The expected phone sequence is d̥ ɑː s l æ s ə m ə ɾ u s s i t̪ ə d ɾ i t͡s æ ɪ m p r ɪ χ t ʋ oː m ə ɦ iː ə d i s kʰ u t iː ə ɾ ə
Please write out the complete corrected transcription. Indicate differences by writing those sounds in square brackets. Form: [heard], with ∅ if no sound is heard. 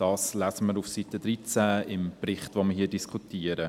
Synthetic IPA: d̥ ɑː s l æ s ə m ə ɾ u [f] s i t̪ ə d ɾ i t͡s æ ɪ m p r ɪ χ t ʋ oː m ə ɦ iː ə d i s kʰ u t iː ə ɾ ə